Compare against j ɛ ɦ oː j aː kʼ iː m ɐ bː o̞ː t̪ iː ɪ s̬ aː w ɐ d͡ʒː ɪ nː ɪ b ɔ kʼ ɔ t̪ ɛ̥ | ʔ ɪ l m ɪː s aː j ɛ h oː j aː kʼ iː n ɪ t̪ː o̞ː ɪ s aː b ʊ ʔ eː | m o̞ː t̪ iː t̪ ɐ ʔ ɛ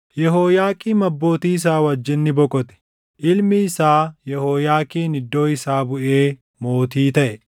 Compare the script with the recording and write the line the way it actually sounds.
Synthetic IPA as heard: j ɛ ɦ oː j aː kʼ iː m ɐ bː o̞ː t̪ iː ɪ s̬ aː w ɐ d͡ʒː ɪ nː ɪ b ɔ kʼ ɔ t̪ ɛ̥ | ʔ ɪ l m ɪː s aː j ɛ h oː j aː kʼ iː n ɪ d̪ː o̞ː ɪ s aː b ʊ ʔ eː | m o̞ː t̪ iː t̪ ɐ ʔ ɛ